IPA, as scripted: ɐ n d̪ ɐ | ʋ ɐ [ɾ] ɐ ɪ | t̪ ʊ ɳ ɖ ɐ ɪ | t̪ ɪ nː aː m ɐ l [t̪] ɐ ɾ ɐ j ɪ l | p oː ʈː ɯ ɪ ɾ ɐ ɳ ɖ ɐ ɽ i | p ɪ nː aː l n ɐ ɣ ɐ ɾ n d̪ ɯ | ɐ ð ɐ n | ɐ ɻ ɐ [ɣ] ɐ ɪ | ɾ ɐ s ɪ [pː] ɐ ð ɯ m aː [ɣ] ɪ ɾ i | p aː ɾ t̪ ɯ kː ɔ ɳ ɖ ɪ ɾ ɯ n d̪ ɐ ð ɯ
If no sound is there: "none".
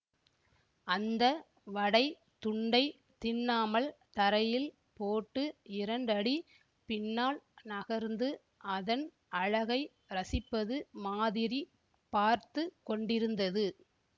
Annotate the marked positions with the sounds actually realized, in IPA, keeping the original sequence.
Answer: ɽ, t̪, ɣ, pː, ð

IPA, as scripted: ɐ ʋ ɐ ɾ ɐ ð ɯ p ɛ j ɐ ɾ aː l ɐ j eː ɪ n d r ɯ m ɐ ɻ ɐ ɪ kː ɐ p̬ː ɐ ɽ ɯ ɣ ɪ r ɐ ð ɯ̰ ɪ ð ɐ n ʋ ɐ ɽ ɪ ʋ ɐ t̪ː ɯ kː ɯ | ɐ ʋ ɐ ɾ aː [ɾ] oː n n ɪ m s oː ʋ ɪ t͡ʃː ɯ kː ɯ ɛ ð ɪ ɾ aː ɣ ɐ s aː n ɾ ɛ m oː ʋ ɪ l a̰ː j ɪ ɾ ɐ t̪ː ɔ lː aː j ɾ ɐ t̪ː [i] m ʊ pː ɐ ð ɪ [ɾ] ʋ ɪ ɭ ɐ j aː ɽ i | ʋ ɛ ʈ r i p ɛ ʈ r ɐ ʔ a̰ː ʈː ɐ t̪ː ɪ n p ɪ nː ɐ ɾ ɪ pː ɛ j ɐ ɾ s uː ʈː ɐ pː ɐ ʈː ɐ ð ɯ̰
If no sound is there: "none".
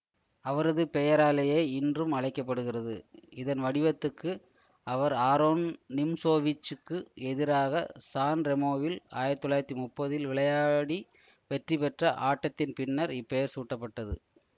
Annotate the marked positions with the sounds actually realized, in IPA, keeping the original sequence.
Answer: ɾ, i, l

